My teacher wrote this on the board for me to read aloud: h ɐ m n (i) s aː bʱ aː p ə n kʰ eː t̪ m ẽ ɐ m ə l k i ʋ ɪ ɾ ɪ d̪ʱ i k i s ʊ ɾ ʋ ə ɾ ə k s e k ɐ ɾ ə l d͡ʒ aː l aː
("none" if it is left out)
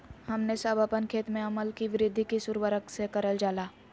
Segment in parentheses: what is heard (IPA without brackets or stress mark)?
e